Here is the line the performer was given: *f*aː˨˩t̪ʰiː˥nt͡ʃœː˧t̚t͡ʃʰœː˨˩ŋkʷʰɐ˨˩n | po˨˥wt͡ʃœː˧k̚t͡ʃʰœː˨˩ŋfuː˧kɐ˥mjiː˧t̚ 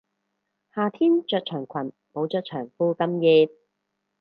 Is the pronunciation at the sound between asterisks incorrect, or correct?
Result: incorrect